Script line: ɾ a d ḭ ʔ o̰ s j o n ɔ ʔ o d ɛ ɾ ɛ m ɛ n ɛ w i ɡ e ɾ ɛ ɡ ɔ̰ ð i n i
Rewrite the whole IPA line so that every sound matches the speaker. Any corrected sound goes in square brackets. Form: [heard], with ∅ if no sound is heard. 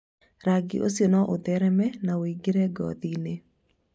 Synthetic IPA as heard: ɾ a [ɡ] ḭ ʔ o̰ s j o n ɔ ʔ o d ɛ ɾ ɛ m ɛ n [a] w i ɡ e ɾ ɛ ɡ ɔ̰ ð i n [e]